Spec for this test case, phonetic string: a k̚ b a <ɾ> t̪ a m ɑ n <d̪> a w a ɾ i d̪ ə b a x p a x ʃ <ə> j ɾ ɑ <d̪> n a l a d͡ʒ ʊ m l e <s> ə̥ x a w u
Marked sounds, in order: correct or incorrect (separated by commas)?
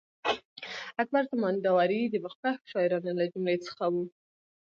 correct, correct, incorrect, incorrect, incorrect